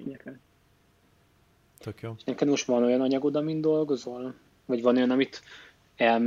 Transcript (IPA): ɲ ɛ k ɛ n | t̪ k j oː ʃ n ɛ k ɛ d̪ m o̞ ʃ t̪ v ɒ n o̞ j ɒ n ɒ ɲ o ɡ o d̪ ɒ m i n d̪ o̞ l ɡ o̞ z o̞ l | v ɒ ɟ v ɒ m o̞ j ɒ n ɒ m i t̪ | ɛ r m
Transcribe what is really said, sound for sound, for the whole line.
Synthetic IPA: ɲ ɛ k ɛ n | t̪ k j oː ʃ n ɛ k ɛ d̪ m o̞ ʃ t̪ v ɒ n o̞ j ɒ n ɒ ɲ ɒ ɡ o d̪ ɒ m i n d̪ o̞ l ɡ o̞ z o̞ l | v ɒ ɟ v ɒ n o̞ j ɒ n ɒ m i t̪ | ɛ l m